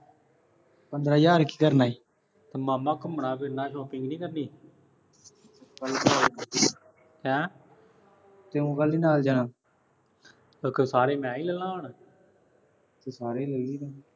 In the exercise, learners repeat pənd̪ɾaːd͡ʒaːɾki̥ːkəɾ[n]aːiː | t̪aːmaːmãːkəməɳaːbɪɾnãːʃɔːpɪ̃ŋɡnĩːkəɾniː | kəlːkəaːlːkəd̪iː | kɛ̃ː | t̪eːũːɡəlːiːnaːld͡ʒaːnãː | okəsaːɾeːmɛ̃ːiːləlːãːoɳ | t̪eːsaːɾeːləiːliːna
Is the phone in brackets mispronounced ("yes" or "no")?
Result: no